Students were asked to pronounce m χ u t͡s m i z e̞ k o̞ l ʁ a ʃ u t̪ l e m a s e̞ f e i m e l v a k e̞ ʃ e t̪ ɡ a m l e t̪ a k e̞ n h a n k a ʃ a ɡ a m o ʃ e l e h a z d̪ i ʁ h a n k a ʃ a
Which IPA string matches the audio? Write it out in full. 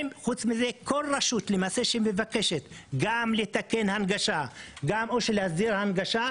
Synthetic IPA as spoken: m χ u t͡s m i z e̞ k o̞ l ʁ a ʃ u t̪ l e m a s e̞ ʃ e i m e v a k e̞ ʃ e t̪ ɡ a m l e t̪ a k e̞ n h a n ɡ a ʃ a ɡ a m o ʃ e l e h a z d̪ i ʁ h a n ɡ a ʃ a